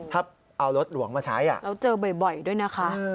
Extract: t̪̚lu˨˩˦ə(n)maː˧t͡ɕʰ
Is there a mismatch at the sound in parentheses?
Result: yes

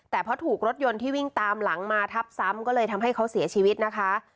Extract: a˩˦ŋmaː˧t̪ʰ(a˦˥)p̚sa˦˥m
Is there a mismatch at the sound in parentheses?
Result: no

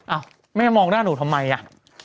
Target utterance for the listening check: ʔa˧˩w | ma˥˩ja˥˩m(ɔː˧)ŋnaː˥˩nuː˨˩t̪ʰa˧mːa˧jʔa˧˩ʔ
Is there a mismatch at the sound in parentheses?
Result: no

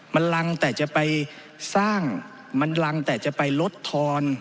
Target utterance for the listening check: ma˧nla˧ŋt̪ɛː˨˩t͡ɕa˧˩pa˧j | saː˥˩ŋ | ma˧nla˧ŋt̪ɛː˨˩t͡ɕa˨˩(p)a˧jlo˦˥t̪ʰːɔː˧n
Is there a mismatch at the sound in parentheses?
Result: no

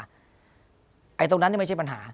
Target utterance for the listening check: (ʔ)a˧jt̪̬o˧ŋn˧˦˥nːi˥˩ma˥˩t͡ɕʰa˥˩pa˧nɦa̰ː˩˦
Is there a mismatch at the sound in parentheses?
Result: no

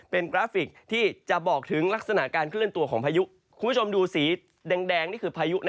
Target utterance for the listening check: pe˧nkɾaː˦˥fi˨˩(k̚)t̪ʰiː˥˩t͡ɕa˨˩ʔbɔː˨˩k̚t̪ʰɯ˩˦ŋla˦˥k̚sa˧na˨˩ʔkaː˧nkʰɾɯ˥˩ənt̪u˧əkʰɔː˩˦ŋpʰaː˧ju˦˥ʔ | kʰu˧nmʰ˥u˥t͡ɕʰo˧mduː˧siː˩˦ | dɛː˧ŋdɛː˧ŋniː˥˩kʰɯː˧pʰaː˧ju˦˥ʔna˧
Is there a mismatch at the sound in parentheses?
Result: no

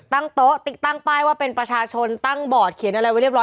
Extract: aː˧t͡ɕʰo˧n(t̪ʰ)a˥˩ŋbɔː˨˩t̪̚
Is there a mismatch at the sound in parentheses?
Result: yes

